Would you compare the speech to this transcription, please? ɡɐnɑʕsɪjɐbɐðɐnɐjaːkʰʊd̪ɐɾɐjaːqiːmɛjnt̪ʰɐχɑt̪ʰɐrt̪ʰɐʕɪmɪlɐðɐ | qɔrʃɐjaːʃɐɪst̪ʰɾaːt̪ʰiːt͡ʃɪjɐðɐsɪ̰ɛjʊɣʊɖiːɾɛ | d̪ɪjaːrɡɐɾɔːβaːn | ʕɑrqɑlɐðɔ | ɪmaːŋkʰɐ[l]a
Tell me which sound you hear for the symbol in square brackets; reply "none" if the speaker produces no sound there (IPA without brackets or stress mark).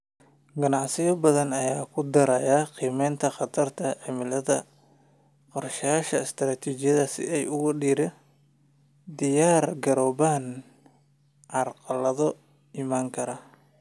ɾ